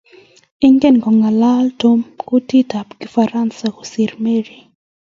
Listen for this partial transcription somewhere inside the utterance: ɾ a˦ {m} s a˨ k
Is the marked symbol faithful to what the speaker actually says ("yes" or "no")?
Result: no